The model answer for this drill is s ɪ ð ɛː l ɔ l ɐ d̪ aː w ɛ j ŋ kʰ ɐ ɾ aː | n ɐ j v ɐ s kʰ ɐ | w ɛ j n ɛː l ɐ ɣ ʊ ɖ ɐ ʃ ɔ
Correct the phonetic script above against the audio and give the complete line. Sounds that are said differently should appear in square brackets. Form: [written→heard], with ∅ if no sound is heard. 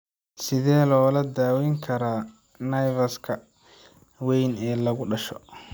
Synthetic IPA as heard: s ɪ ð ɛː l [ɔ→ɔː] l ɐ d̪ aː w ɛ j ŋ kʰ ɐ ɾ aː | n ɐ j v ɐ s kʰ ɐ | w ɛ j n ɛː l ɐ ɣ ʊ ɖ ɐ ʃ ɔ